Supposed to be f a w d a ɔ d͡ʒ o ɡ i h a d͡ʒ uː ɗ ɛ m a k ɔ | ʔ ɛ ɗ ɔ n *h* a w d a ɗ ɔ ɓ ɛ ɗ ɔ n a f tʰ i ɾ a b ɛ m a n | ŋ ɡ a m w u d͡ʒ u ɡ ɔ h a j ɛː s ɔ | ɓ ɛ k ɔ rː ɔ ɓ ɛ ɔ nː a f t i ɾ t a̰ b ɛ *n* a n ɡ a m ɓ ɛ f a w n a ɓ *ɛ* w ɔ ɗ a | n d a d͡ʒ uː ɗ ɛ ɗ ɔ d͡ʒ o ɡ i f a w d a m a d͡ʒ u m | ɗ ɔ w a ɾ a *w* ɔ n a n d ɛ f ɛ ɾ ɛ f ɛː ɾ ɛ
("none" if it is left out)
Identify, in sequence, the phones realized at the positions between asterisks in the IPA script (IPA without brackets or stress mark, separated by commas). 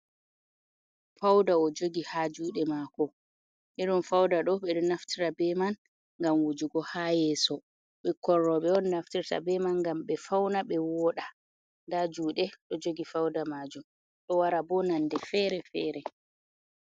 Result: f, m, ɛ, b